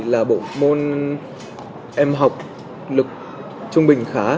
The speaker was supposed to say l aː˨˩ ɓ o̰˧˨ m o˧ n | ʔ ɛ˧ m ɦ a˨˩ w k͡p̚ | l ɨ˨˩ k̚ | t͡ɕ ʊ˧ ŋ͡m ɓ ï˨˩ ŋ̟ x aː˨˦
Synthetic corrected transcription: l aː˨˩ ɓ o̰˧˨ m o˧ n | ʔ ɛ˧ m ɦ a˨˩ w k͡p̚ | l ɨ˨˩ k̚ | t͡ɕ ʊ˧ ŋ͡m ɓ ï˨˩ ŋ̟ x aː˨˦